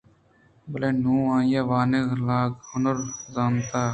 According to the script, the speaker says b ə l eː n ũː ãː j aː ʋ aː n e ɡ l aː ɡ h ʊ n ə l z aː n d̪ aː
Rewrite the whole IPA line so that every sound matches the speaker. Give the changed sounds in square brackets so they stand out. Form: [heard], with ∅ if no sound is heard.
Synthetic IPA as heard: b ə l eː n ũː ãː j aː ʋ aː n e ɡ l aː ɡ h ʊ n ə [ɾ] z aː n [t̪] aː